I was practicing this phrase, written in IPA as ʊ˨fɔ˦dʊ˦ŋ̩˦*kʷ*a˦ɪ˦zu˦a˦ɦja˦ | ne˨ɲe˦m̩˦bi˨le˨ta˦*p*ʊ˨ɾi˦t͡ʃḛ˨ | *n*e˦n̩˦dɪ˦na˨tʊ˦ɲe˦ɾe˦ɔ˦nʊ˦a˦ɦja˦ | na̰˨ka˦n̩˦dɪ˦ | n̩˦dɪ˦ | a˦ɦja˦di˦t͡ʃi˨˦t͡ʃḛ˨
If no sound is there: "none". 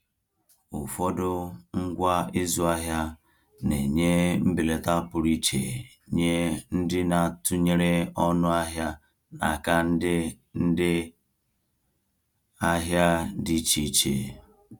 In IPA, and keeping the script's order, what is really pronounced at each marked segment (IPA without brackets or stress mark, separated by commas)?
ɡʷ, p, ɲ